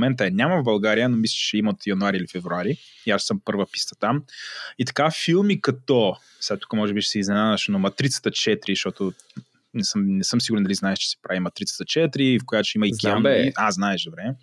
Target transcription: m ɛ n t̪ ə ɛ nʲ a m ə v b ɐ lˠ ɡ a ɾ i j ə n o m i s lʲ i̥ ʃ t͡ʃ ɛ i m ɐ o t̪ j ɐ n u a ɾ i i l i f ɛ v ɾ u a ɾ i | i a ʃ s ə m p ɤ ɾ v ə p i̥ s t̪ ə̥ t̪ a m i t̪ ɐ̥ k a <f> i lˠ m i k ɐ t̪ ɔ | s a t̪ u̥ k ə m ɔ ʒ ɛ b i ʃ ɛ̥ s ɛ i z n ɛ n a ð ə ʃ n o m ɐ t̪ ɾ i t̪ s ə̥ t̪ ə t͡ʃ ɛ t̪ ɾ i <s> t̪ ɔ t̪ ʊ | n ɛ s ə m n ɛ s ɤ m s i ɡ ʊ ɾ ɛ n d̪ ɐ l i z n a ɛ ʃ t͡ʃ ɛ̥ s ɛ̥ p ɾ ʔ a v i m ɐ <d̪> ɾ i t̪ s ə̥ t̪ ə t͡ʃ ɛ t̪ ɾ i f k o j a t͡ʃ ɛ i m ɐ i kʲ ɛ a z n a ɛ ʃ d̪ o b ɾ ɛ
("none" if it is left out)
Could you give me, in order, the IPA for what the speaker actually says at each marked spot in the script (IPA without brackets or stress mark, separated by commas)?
f, ʃ, t̪